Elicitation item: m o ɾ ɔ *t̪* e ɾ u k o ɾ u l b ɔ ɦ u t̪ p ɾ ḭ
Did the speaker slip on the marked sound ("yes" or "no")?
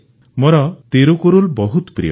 no